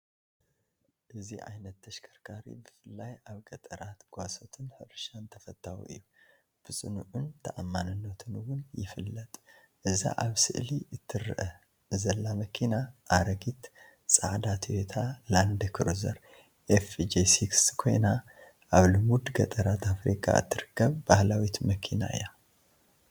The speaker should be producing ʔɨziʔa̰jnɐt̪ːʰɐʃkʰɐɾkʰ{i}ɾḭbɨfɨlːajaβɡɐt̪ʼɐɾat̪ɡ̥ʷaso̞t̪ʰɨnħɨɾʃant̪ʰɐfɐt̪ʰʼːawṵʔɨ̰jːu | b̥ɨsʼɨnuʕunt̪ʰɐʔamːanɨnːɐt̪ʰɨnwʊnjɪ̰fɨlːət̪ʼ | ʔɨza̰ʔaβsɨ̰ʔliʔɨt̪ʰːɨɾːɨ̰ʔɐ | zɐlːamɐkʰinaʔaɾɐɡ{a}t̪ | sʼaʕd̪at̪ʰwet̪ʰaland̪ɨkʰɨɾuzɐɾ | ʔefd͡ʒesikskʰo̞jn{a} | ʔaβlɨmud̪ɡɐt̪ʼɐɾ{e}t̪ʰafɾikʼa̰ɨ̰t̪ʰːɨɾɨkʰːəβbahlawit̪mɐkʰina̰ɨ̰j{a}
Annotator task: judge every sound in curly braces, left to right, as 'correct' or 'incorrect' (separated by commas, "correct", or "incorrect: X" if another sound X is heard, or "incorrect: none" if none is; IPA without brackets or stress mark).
incorrect: a, incorrect: i, correct, incorrect: a, correct